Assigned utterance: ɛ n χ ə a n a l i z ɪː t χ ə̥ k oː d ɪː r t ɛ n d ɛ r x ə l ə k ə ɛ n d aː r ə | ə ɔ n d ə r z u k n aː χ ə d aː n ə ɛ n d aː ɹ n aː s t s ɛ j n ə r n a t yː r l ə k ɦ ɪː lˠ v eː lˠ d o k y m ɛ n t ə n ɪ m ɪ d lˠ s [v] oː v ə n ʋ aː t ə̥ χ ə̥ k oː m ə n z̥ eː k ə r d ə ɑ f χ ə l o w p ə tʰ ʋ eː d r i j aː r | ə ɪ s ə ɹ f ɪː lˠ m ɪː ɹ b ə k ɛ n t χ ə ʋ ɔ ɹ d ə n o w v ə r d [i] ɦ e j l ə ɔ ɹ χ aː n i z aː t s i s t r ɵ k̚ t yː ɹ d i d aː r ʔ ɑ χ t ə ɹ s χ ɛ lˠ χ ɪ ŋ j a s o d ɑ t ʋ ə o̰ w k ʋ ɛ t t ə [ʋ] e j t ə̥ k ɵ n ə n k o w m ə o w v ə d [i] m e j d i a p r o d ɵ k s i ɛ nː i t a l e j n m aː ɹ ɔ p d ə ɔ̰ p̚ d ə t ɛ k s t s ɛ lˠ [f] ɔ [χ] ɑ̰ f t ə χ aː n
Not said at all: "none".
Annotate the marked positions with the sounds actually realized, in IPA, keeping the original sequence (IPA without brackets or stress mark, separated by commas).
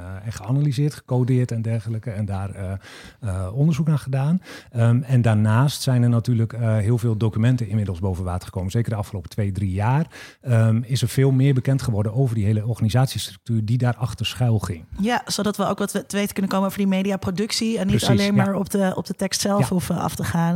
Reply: b, i, ʋ, i, f, f